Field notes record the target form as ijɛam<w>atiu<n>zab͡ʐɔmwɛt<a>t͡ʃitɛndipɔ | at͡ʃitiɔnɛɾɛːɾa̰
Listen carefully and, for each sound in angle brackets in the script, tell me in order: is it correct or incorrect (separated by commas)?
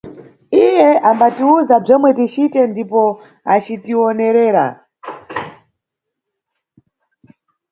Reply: incorrect, incorrect, incorrect